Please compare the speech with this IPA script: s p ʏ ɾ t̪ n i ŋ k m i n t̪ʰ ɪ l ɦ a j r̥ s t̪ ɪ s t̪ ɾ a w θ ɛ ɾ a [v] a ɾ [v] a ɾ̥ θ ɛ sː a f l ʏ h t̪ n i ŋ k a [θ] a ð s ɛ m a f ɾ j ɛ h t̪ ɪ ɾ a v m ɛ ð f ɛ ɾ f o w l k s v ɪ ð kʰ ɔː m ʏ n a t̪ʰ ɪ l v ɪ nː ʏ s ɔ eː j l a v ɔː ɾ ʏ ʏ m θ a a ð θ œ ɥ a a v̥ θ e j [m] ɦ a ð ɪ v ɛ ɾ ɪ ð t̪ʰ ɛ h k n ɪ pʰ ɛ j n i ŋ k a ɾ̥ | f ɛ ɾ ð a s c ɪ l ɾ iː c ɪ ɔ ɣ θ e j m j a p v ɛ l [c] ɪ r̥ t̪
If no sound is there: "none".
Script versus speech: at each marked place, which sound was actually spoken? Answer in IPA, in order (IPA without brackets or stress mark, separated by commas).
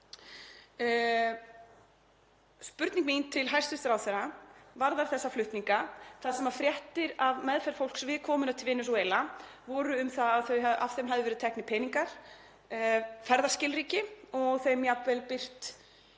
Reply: v, ð, θ, m, p